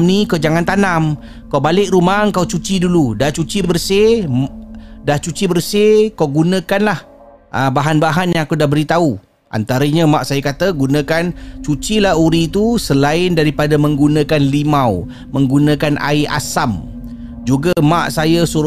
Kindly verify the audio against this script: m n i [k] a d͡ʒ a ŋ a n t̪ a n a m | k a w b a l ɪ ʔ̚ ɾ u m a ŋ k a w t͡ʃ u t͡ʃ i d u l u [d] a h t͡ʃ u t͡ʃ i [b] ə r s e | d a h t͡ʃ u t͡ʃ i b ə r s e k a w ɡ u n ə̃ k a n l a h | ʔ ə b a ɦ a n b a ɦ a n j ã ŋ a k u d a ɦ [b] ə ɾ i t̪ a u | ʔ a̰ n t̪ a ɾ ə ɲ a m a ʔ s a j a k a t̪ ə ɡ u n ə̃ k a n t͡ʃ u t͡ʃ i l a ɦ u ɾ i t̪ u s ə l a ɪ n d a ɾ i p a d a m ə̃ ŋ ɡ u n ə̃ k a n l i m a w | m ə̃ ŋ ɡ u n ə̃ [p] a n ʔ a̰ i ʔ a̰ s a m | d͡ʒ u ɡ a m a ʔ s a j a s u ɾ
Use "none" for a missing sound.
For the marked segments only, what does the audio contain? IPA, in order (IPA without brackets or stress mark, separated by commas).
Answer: k, d, b, b, k